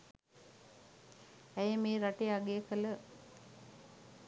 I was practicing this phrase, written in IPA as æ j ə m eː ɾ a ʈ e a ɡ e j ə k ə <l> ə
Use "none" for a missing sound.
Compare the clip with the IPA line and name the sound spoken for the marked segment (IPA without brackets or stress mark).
l